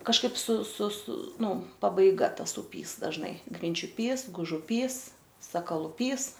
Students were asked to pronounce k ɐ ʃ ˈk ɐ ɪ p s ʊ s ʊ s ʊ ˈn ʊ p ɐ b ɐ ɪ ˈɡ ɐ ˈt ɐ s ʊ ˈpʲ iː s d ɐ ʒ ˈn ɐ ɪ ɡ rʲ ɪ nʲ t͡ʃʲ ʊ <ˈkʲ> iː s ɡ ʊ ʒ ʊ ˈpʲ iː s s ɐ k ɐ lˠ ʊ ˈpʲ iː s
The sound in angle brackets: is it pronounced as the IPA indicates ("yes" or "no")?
no